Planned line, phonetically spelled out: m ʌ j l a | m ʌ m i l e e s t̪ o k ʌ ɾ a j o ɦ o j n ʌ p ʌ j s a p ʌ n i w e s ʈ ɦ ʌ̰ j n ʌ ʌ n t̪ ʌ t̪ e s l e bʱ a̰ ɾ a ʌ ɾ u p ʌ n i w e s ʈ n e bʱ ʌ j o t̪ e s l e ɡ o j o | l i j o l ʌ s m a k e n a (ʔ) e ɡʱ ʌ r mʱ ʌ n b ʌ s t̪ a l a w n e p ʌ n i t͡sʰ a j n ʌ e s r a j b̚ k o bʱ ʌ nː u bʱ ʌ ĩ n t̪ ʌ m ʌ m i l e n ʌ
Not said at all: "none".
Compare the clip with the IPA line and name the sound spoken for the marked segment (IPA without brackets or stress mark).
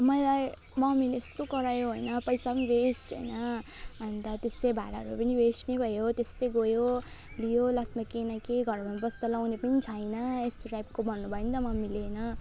k